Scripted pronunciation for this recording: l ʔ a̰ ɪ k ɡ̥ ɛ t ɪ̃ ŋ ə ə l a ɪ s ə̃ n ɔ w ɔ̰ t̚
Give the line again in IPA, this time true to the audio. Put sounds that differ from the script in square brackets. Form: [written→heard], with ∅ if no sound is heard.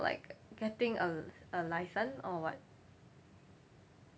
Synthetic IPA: l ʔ a̰ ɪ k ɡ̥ ɛ t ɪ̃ ŋ ə ə l a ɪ s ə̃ n ɔ w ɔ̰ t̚